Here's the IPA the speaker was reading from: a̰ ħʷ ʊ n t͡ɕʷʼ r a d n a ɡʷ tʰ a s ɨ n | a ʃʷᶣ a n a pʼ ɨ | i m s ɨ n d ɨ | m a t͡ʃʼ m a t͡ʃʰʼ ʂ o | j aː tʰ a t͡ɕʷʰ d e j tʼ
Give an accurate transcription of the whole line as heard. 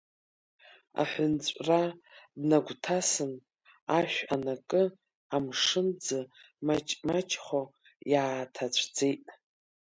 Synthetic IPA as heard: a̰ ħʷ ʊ n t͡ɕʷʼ r a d n a ɡʷ tʰ a s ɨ n | a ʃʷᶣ a n a kʼ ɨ | a m ʂ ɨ n d͡z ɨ | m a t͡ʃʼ m a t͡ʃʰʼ χ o | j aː tʰ a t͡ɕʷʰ d͡z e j tʼ